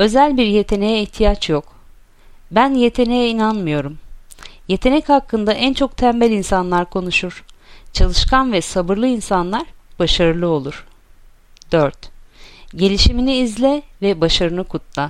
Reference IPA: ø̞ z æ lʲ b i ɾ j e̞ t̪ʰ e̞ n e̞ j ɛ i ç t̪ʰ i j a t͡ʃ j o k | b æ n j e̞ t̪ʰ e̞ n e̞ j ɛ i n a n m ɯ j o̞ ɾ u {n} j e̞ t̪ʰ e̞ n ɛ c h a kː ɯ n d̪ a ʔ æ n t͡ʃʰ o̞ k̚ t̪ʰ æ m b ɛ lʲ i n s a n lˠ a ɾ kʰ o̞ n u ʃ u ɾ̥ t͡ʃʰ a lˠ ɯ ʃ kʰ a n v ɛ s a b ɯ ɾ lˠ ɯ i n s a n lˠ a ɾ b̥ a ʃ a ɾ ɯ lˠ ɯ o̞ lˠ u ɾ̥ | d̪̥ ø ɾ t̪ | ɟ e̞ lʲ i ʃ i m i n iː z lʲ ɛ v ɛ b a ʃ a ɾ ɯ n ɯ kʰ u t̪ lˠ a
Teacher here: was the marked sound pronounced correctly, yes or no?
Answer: no